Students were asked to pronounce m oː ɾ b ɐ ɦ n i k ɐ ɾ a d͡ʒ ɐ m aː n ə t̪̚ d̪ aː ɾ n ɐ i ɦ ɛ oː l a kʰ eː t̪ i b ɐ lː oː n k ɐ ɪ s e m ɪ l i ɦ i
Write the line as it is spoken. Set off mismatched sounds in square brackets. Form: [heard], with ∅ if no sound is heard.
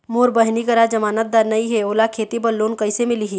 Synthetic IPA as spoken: m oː ɾ b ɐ ɦ n i k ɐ ɾ a d͡ʒ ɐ m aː n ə t̪̚ d̪ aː ɾ n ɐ i ɦ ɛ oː l a kʰ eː t̪ i b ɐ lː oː n k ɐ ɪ s e m ɪ l i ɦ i

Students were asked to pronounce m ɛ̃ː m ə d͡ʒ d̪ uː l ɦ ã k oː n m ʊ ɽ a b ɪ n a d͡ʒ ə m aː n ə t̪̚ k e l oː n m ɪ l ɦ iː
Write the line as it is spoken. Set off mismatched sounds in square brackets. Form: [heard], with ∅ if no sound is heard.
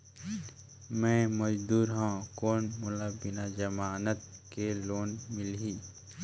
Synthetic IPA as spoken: m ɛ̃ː m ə d͡ʒ d̪ uː [ɾ] ɦ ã k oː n m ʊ [l] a b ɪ n a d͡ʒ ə m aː n ə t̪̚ k e l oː n m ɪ l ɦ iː

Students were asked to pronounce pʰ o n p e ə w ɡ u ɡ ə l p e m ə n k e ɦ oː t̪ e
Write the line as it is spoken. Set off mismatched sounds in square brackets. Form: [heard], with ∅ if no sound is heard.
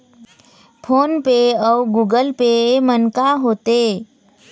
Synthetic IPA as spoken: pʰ o n p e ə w ɡ u ɡ ə l p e m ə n k [a] ɦ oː t̪ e

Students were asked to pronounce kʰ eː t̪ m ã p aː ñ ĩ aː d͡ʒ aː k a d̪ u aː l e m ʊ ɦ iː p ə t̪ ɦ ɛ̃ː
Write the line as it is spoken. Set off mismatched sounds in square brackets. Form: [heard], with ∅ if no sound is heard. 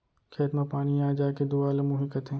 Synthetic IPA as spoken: kʰ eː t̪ m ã p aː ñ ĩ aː d͡ʒ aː k [e] d̪ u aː l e m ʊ ɦ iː [k] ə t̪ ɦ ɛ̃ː

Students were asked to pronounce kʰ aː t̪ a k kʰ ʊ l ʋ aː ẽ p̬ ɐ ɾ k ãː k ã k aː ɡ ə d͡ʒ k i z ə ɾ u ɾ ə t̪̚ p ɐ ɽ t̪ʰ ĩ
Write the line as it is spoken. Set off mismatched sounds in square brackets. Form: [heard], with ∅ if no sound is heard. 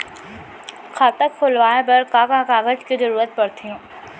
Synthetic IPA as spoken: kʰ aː t̪ [ə] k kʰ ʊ l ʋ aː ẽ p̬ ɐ ɾ k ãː k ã k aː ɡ ə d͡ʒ k i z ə ɾ [uː] ɾ ə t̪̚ p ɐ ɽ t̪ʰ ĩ

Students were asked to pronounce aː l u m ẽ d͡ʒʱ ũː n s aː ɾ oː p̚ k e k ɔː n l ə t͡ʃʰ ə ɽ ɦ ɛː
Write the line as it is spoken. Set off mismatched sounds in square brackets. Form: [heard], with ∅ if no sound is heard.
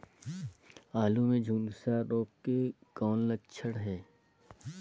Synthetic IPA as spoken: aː l u m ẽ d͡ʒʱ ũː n s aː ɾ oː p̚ k e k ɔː n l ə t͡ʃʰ ə ɽ ɦ ɛː

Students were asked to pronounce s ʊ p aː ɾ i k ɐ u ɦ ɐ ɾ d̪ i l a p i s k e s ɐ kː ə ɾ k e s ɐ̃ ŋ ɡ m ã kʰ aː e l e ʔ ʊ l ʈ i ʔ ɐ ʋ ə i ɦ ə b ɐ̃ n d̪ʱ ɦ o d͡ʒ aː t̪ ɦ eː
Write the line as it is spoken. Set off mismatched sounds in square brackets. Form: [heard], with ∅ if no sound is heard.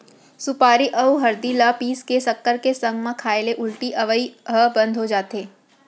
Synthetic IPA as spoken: s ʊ p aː ɾ i [ʔ] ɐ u ɦ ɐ ɾ d̪ i l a p [iː] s k e s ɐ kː ə ɾ k e s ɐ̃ ŋ ɡ m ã kʰ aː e l e ʔ ʊ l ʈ i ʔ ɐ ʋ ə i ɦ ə b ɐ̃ n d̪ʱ ɦ o d͡ʒ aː t̪ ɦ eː

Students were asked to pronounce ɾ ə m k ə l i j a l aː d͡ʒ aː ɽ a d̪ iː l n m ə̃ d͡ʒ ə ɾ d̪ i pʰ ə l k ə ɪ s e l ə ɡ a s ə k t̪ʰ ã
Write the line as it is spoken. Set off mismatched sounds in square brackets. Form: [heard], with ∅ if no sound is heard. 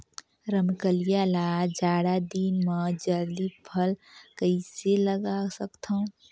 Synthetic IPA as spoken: ɾ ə m k ə l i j a l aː d͡ʒ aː ɽ a d̪ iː [∅] n m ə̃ d͡ʒ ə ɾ d̪ i pʰ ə l k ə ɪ s e l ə ɡ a s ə k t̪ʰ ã

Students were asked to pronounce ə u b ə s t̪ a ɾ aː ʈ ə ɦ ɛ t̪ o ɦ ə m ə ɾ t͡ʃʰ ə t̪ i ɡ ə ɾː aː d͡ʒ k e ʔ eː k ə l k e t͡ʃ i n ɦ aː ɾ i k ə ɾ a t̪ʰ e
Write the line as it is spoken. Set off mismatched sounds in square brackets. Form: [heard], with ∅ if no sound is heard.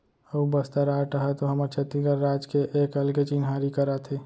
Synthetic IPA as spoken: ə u b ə s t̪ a ɾ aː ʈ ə ɦ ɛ t̪ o ɦ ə m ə ɾ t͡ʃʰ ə t̪ i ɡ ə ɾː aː d͡ʒ k e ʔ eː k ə l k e t͡ʃ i n ɦ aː ɾ i k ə ɾ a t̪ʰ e

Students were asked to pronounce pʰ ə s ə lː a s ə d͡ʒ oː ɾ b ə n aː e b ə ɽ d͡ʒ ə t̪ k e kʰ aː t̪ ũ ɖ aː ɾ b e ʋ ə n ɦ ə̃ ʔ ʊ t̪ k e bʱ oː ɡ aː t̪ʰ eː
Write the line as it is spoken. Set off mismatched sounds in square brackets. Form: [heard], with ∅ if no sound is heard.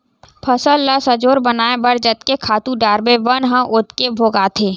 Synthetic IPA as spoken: pʰ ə s ə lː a s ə d͡ʒ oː ɾ b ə n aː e b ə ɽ d͡ʒ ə t̪ k e kʰ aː t̪ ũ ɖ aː ɾ b e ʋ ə n ɦ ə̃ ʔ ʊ t̪ k e bʱ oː ɡ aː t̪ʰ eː

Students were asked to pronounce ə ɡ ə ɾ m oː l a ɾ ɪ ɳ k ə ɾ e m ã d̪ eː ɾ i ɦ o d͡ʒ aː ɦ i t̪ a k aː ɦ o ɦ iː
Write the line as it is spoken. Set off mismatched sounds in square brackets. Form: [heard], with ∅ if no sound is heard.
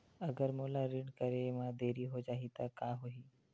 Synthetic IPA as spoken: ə ɡ ə ɾ m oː l a ɾ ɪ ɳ k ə ɾ e m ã d̪ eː ɾ i ɦ o d͡ʒ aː ɦ i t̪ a k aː ɦ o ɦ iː

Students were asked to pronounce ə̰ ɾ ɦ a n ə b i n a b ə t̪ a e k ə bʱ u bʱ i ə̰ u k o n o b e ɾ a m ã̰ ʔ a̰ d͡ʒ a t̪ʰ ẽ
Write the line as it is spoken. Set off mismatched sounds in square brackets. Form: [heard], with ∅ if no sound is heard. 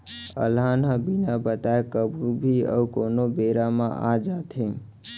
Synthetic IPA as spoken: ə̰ [l] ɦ a n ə b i n a b ə t̪ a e k ə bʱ u bʱ i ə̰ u k o n o b e ɾ a m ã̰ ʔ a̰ d͡ʒ a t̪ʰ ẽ

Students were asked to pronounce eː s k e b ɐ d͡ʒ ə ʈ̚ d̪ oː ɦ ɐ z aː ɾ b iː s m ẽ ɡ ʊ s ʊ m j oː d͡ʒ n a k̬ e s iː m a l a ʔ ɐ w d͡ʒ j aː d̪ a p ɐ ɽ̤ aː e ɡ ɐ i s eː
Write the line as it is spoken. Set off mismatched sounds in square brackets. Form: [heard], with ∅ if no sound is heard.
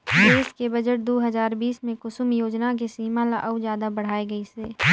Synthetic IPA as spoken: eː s k e b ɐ d͡ʒ ə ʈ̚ d̪ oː ɦ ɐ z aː ɾ b iː s m ẽ [k] ʊ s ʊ m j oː d͡ʒ n a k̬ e s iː m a l a ʔ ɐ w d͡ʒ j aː d̪ a [b] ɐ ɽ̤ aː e ɡ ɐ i s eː

